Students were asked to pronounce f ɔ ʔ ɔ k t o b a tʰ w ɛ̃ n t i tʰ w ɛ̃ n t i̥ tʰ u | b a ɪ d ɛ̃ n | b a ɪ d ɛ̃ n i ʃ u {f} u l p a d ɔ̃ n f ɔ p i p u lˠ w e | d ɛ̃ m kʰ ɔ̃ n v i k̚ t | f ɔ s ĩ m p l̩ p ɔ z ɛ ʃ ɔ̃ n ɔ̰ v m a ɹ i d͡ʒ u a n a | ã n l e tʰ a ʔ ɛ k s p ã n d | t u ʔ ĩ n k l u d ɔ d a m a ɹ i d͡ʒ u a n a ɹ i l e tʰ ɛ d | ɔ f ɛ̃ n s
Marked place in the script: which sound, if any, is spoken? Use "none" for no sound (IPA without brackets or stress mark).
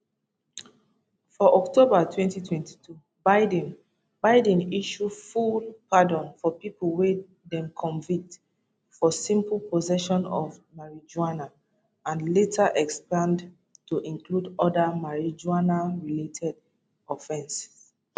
f